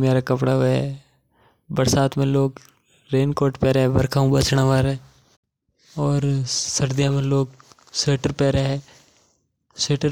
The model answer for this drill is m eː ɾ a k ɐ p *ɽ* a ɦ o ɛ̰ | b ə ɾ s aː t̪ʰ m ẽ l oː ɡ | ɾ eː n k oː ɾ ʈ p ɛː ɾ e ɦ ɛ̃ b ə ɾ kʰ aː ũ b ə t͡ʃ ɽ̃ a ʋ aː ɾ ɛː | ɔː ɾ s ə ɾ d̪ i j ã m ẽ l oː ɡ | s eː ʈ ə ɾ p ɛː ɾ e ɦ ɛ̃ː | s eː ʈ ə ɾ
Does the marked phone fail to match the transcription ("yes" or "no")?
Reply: no